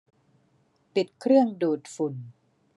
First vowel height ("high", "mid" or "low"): high